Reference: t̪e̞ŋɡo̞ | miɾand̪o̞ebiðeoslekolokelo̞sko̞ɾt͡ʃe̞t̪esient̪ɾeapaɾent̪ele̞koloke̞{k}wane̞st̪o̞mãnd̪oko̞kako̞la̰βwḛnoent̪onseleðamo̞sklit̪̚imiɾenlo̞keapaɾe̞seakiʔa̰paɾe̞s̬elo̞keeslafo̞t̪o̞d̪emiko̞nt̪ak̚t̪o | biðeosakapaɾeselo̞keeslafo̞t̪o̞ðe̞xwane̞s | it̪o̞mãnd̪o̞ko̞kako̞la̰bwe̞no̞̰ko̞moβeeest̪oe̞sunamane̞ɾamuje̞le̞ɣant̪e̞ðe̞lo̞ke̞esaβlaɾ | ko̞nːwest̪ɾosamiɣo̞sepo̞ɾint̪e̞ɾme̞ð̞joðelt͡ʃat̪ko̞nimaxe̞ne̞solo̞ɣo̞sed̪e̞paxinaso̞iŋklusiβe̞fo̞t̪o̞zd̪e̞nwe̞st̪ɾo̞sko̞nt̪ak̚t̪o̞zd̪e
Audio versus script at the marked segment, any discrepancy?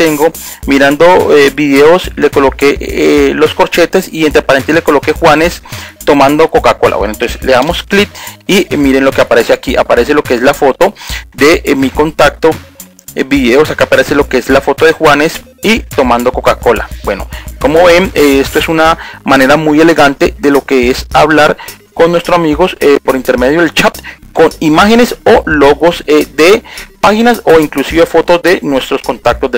yes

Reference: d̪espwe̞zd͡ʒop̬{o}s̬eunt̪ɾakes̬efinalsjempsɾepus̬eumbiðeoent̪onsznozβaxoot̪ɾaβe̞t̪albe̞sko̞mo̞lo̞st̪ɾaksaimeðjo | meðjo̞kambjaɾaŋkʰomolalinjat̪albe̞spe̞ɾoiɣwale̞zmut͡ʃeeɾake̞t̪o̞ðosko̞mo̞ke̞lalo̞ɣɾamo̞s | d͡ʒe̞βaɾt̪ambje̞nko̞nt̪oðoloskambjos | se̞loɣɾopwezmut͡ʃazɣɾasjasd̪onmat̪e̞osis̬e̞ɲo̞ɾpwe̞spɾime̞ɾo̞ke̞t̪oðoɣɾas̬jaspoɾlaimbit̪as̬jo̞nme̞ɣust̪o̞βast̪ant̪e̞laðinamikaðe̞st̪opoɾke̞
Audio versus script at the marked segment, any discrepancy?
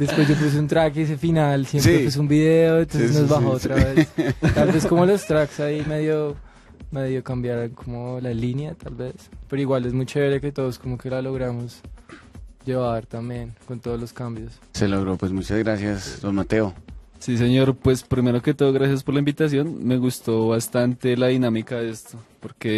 yes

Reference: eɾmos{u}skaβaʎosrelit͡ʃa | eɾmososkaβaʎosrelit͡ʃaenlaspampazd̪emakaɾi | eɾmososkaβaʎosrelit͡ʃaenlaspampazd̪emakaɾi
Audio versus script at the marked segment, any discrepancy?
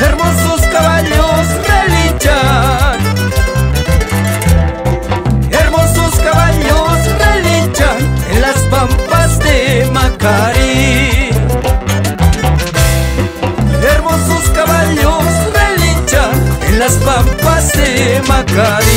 yes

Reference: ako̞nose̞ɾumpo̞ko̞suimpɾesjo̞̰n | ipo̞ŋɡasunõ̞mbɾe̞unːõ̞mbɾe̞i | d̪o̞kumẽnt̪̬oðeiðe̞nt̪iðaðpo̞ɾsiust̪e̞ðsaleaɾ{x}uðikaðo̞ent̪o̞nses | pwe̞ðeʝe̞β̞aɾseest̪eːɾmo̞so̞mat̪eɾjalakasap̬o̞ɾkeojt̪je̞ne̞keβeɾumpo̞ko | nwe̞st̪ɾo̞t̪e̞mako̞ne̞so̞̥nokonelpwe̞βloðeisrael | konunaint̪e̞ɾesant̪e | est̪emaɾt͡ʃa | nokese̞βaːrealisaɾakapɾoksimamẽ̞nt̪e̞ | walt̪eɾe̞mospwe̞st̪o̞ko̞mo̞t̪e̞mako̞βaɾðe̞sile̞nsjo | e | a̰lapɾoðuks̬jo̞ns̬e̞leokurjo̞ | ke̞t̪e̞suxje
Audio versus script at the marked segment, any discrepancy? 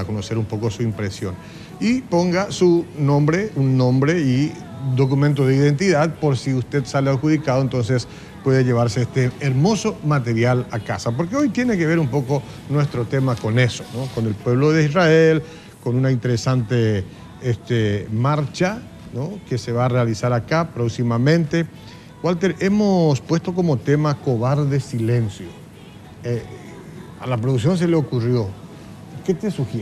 no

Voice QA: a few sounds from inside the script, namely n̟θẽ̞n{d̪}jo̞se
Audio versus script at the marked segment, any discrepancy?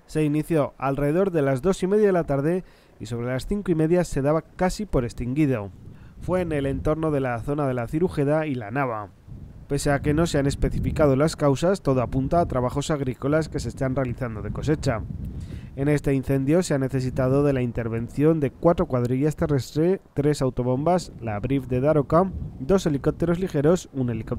no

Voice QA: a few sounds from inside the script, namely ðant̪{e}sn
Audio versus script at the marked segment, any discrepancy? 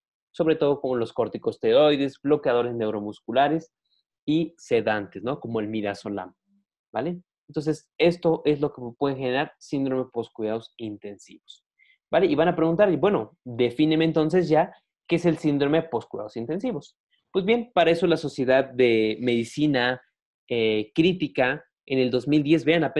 no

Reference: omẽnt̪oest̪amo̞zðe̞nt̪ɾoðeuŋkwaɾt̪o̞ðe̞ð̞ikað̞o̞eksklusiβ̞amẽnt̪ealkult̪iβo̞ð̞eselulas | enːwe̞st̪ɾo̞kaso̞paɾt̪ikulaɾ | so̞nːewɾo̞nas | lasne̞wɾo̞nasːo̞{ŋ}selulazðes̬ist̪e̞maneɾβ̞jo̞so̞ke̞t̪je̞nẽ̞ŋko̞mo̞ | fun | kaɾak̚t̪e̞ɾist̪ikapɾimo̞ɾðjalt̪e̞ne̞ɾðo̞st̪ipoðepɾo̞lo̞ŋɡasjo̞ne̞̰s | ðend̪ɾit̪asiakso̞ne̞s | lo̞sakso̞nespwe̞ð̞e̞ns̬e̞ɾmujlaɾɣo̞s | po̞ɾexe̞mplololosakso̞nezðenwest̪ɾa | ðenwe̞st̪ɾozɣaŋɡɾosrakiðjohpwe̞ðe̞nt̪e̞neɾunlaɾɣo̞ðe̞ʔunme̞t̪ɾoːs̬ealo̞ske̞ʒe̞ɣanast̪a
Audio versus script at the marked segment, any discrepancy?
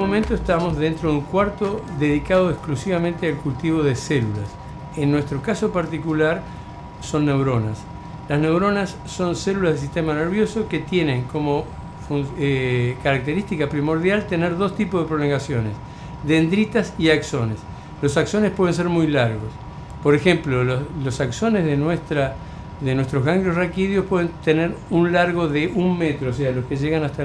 yes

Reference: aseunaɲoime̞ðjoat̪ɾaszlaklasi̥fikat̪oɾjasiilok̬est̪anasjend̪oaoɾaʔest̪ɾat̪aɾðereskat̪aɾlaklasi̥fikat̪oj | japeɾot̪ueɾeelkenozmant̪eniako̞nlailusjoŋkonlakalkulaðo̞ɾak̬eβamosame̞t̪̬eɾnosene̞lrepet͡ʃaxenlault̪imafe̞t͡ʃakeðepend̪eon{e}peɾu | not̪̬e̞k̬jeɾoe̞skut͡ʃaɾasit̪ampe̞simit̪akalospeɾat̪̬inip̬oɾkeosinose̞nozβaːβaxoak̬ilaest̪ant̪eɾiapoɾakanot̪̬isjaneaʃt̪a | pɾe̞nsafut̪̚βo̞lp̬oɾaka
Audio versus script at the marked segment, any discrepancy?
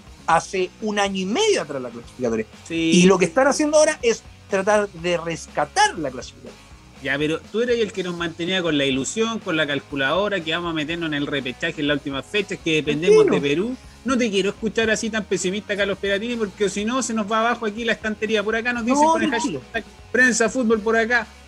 no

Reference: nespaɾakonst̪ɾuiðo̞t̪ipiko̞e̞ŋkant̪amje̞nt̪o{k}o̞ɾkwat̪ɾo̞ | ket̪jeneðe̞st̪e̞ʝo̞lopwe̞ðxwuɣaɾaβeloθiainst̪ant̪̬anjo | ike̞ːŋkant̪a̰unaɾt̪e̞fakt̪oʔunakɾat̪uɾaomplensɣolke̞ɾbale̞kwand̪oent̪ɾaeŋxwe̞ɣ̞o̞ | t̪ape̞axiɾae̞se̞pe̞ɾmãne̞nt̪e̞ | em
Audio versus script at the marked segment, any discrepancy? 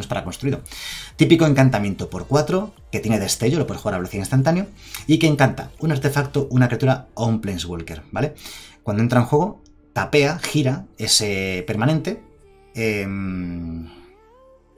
yes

